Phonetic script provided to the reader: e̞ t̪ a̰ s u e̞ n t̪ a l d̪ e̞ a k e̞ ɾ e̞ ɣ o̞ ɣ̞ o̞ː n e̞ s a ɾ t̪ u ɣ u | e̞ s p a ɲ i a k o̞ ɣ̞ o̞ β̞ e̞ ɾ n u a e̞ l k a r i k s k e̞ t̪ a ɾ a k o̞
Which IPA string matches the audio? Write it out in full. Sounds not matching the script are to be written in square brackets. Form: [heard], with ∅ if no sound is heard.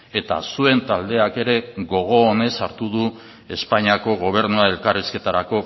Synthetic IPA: e̞ t̪ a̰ s u e̞ n t̪ a l d̪ e̞ a k e̞ ɾ e̞ ɣ o̞ ɣ̞ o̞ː n e̞ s a ɾ t̪ u [ð] u | e̞ s p a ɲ i a k o̞ ɣ̞ o̞ β̞ e̞ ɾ n u a e̞ l k a r i [∅] s k e̞ t̪ a ɾ a k o̞